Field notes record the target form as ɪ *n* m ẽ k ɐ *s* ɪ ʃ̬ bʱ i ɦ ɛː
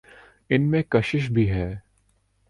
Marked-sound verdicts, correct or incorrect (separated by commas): correct, incorrect